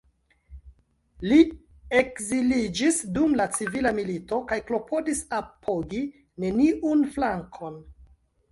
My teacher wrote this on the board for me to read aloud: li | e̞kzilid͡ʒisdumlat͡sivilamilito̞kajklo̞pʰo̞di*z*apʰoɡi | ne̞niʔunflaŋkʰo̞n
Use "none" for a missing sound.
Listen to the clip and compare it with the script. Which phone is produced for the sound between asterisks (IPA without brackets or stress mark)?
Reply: s